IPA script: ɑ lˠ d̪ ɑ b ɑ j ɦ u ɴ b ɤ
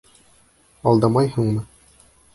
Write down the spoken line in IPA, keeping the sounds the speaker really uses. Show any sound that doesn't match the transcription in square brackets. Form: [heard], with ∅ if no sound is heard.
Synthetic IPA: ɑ lˠ d̪ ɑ [m] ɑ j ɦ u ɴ [m] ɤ